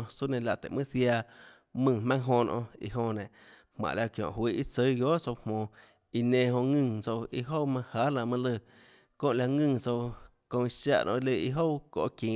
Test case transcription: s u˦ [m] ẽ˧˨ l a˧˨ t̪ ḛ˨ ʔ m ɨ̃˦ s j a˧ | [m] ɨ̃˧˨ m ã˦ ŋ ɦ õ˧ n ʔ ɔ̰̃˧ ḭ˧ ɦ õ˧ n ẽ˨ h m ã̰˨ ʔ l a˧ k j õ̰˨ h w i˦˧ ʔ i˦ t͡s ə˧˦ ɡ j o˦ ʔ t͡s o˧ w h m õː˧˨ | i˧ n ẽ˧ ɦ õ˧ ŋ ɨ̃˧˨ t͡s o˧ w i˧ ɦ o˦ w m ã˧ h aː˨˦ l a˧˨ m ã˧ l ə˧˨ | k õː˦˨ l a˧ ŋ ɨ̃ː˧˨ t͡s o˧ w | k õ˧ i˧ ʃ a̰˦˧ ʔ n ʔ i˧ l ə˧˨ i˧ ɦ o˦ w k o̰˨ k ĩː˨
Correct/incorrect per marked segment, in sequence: incorrect, correct

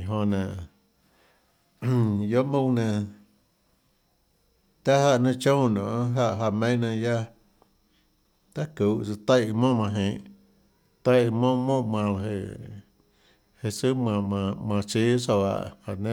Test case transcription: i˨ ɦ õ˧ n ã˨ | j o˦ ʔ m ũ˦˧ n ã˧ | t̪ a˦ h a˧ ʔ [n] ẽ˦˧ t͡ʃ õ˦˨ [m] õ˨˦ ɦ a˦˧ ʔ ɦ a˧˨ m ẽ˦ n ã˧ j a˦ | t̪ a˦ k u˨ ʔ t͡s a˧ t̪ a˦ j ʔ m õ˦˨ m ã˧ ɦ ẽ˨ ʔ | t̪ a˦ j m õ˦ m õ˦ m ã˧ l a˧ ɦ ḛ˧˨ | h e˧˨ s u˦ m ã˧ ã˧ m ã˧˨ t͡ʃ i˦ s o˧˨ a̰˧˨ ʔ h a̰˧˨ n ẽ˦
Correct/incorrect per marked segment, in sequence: correct, incorrect

